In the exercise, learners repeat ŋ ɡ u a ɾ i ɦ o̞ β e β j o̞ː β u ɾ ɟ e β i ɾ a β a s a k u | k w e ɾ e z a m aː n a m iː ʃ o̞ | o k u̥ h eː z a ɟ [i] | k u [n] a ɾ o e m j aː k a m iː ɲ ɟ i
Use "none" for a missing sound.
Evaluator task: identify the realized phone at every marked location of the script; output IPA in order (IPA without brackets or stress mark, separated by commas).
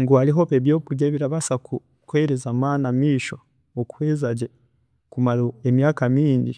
e, m